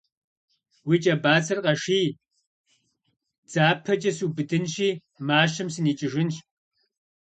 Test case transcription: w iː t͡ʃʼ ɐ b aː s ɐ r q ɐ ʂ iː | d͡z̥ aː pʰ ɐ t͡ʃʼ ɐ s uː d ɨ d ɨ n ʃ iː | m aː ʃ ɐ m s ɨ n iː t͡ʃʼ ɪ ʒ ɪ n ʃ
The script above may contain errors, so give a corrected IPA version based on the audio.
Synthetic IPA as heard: w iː t͡ʃʼ ɐ b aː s ɐ r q ɐ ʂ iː | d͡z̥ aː pʰ ɐ t͡ʃʼ ɐ s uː b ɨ d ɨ n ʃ iː | m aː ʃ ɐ m s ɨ n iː t͡ʃʼ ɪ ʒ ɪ n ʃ